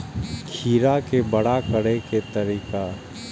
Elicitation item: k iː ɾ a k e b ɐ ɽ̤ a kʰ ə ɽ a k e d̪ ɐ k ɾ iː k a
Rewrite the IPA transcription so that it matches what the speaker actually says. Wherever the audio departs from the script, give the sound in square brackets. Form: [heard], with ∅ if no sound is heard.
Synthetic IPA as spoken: [kʰ] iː ɾ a k e b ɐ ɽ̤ a [k] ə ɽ [e] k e [t̪] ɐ [∅] ɾ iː k a